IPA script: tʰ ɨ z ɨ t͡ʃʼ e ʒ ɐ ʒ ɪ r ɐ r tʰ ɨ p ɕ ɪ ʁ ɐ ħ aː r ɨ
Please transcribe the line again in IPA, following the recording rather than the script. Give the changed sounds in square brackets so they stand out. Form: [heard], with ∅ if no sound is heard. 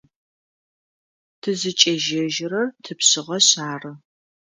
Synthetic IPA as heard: tʰ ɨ z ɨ t͡ʃʼ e ʒ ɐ ʒ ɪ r ɐ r tʰ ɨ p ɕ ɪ ʁ ɐ [ɕ] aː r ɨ